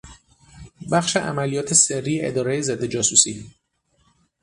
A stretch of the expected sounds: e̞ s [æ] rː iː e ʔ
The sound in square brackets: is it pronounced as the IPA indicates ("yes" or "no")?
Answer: no